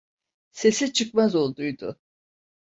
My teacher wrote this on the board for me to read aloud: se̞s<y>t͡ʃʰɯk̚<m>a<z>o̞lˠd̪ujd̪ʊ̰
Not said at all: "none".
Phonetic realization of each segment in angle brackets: i, m, z

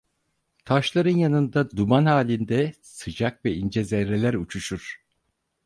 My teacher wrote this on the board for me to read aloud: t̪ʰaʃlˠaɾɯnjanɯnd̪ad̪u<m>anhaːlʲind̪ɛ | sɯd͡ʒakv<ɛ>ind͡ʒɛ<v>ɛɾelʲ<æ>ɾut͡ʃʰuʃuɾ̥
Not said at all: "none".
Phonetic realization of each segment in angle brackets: m, ɛ, z, æ

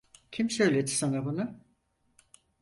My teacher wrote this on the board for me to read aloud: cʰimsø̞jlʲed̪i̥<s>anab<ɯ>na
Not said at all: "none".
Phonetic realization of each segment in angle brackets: s, u

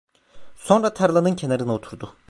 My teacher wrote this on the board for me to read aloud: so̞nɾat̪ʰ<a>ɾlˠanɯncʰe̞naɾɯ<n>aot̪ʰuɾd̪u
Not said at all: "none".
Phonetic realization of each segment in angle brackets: a, n

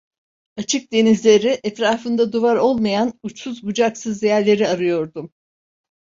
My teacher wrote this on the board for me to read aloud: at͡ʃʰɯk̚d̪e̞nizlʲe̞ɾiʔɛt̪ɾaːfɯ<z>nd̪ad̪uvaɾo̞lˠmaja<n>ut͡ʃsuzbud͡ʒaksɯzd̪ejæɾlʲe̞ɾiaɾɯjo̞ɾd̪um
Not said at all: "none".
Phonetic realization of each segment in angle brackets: none, n

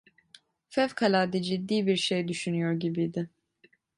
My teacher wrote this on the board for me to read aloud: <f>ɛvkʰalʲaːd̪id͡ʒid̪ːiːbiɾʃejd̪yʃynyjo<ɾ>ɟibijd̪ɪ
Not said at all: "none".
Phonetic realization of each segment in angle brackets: f, ɾ

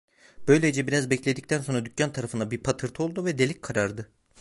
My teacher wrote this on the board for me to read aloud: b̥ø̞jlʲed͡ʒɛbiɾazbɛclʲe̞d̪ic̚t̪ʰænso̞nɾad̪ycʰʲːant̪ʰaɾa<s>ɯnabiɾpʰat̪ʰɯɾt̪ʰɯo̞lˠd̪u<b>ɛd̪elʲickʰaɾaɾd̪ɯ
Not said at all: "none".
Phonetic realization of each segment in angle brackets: f, v

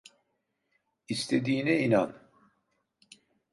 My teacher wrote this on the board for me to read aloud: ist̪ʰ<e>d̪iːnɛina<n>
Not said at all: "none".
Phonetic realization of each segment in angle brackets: e, n

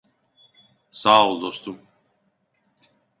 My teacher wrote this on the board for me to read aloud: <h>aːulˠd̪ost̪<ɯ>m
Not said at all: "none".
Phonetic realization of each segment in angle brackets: s, u

